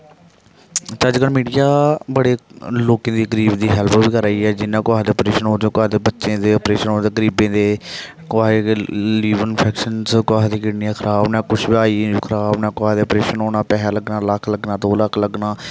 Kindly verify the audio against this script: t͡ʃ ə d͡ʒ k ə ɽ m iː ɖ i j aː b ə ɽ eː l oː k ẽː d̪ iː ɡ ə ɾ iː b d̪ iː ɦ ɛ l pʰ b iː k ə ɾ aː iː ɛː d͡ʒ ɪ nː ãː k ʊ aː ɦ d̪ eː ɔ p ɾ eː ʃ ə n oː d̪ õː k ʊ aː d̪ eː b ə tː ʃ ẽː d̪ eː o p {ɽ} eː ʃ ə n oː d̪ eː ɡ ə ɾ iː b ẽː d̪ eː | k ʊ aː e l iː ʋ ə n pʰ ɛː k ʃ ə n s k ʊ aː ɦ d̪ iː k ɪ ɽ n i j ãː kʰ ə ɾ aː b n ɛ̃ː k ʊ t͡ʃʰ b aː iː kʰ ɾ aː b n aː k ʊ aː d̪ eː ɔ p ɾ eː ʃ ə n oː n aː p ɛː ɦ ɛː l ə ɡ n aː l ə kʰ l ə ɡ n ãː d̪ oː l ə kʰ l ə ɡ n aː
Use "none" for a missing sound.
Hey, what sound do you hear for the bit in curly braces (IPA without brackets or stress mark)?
ɾ